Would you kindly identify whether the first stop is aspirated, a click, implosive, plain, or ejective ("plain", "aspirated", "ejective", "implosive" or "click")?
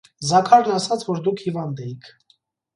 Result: aspirated